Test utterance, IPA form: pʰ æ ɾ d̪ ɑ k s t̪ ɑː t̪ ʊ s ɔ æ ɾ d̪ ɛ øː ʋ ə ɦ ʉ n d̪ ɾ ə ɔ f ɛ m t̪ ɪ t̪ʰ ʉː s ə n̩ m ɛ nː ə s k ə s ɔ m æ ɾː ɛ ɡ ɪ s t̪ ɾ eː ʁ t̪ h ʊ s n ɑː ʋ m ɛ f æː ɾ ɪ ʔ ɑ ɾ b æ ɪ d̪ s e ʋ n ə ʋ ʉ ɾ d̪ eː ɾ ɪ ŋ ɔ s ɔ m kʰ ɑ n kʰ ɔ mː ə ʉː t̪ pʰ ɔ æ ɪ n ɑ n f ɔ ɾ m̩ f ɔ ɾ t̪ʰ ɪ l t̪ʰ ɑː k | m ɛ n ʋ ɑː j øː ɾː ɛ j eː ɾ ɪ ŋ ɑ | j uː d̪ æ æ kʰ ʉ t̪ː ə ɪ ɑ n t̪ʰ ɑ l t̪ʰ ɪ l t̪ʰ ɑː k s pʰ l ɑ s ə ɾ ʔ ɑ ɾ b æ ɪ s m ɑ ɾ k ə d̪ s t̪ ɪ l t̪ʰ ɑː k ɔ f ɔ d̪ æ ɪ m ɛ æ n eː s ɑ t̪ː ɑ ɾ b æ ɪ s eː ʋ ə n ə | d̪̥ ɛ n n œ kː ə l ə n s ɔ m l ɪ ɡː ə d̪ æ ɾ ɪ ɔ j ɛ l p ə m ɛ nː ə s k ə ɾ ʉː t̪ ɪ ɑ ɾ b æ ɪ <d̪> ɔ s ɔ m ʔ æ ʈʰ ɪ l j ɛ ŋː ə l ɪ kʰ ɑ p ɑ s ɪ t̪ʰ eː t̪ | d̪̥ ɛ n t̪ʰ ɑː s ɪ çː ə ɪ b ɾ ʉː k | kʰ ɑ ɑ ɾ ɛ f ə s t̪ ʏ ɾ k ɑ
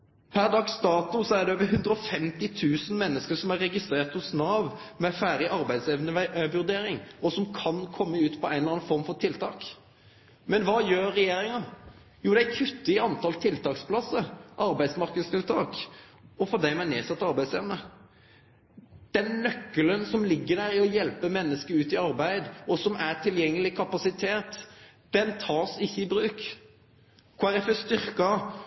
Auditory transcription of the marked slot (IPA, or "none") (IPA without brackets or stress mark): d̪